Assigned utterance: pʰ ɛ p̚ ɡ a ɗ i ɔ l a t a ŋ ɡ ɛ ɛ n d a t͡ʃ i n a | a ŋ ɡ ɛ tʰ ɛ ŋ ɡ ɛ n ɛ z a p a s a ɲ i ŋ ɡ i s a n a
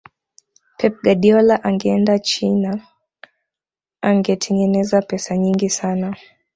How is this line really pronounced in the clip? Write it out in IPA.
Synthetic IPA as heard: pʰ ɛ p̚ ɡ a ɗ i ɔ l a ʔ a ŋ ɡ ɛ ɛ n d a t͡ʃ i n a | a ŋ ɡ ɛ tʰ ɛ ŋ ɡ ɛ n ɛ z a p ɛ s a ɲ i ŋ ɡ i s a n a